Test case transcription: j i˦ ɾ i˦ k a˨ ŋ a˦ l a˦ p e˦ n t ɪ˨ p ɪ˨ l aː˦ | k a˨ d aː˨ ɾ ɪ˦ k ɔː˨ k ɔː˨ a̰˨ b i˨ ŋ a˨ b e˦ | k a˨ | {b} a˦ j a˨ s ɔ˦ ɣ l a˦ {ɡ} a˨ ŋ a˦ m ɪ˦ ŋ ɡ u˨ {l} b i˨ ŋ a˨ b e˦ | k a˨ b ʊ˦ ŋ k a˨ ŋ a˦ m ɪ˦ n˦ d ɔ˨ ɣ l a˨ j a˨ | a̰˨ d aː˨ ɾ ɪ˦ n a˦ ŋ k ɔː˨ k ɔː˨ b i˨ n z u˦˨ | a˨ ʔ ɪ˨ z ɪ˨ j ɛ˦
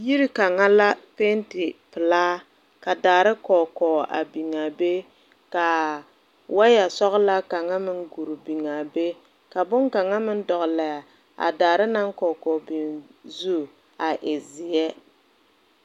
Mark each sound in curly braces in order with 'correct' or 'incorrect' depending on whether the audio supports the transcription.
incorrect, incorrect, incorrect

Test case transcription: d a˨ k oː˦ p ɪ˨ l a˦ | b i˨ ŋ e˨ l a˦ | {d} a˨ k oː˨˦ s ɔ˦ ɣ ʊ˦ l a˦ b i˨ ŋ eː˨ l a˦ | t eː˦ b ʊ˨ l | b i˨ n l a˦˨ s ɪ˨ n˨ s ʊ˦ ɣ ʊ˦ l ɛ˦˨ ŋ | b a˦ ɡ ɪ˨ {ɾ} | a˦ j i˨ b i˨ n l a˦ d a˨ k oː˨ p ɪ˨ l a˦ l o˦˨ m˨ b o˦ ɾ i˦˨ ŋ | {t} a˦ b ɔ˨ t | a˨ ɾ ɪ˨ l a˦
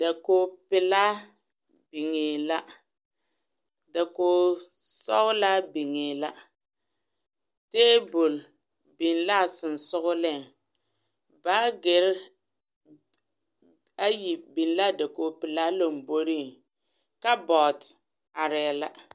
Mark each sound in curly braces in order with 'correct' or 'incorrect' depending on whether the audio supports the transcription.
correct, correct, incorrect

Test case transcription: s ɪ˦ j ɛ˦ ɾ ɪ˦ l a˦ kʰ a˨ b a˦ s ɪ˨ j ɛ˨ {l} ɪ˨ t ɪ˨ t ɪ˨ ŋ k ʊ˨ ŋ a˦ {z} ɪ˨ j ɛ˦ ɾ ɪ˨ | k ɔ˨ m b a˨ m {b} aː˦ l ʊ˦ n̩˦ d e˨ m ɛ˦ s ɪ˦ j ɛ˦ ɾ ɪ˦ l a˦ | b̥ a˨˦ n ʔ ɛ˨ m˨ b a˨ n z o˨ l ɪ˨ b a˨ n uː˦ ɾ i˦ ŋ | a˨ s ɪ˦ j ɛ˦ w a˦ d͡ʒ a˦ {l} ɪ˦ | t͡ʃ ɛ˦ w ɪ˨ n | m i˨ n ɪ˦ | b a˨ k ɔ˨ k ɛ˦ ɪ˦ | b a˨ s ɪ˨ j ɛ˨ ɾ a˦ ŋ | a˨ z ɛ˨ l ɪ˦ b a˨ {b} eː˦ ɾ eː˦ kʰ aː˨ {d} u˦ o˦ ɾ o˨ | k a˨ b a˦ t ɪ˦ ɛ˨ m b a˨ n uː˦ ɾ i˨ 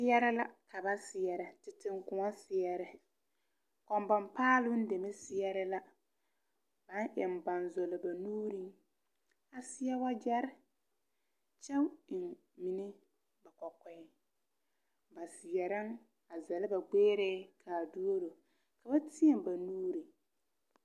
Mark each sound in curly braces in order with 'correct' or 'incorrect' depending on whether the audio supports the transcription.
incorrect, incorrect, incorrect, incorrect, incorrect, correct

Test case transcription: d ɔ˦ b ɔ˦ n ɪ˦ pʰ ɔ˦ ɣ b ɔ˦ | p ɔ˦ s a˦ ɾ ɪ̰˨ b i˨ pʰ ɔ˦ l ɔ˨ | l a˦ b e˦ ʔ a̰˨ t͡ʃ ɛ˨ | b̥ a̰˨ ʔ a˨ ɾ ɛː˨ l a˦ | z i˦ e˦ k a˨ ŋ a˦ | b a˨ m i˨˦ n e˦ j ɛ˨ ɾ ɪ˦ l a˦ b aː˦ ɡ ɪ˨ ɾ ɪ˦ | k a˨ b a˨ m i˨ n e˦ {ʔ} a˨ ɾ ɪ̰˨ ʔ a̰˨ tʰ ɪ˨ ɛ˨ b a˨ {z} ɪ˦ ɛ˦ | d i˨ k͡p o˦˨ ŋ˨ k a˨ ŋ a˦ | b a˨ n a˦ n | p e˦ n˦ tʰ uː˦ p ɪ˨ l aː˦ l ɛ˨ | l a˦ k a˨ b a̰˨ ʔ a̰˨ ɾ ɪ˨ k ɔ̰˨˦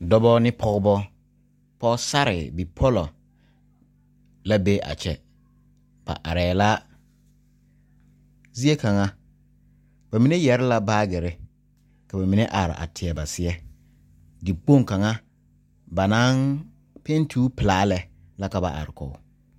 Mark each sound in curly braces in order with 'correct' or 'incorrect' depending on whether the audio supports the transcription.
correct, incorrect

